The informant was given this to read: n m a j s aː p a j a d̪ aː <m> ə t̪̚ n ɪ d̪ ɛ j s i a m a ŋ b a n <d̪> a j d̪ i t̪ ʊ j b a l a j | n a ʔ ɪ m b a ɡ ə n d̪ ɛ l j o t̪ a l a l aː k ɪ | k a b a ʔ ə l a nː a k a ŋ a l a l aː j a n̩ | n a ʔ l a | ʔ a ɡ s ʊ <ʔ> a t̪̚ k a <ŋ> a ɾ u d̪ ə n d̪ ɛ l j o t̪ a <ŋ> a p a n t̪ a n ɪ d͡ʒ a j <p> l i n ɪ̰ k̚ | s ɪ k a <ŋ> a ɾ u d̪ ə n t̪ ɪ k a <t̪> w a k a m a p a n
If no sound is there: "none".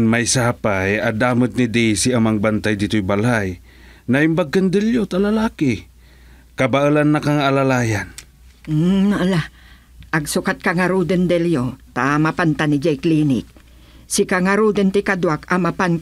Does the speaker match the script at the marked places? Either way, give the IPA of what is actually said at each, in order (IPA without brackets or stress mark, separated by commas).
m, t̪, k, ŋ, m, k, ŋ, d̪